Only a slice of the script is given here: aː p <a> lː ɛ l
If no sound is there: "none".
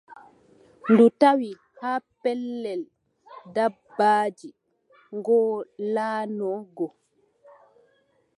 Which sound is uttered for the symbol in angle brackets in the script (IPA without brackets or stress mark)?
ɛ